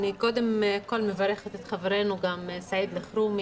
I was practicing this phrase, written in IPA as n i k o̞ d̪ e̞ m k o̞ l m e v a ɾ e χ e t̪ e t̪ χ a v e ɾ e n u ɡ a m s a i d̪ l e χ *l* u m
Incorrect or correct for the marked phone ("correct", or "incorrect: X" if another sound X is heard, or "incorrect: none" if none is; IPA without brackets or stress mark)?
incorrect: ɾ